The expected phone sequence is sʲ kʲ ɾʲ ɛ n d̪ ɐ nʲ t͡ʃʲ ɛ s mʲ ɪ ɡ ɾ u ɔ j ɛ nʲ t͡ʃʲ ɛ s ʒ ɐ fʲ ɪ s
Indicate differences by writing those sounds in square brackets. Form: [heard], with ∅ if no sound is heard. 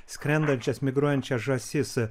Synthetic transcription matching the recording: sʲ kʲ ɾʲ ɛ n d̪ ɐ nʲ t͡ʃʲ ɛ s mʲ ɪ ɡ ɾ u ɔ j ɛ nʲ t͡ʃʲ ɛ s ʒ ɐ [sʲ] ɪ s